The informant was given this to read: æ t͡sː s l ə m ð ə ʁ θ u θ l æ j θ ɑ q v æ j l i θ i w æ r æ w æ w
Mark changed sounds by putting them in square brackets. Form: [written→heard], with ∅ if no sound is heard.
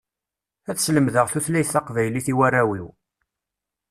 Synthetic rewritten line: æ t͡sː s l ə m ð ə ʁ θ u θ l æ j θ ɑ q v æ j l i θ i w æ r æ w [æ→i] w